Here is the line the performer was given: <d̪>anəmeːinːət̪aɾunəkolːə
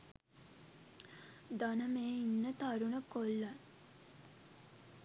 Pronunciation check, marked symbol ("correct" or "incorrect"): correct